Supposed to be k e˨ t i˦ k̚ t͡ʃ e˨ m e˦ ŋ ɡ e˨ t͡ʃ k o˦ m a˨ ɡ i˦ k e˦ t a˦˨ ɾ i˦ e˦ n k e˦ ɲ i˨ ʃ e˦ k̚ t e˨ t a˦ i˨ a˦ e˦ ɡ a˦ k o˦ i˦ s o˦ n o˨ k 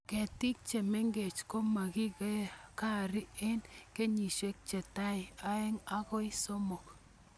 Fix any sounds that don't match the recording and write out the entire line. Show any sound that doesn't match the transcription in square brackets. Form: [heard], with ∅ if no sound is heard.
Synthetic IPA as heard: k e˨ t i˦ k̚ t͡ʃ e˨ m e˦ ŋ ɡ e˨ t͡ʃ k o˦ m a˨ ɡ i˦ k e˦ [k] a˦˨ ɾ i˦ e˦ n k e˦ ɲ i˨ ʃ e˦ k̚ [t͡ʃ] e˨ t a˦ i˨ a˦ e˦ [ŋ] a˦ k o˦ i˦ s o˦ [m] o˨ k